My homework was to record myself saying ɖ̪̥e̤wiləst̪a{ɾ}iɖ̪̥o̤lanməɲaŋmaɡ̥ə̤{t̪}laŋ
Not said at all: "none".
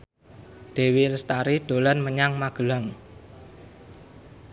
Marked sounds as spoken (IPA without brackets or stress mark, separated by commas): ɾ, none